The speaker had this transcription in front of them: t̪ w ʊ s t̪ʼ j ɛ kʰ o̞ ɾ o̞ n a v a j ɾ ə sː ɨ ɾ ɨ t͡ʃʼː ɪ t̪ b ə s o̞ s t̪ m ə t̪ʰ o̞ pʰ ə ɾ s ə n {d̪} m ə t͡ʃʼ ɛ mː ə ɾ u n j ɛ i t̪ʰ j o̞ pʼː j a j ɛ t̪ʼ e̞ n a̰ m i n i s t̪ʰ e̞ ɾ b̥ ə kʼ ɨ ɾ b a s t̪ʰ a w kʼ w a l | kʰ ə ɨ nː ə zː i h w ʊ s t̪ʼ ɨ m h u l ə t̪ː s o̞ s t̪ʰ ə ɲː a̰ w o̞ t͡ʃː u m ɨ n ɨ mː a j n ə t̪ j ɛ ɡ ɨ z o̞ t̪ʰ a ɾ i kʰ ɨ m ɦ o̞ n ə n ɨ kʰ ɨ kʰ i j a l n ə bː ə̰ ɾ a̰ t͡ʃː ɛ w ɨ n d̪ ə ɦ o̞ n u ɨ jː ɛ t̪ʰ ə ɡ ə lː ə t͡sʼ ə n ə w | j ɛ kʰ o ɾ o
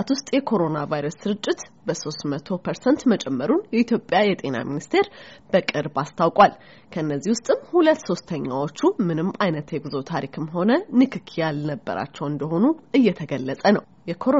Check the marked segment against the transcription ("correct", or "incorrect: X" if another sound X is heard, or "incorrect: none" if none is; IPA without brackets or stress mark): incorrect: t̪